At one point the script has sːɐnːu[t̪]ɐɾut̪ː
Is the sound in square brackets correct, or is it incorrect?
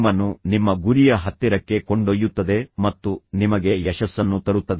correct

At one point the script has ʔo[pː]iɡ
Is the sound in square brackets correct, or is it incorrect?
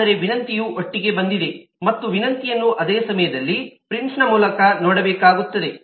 incorrect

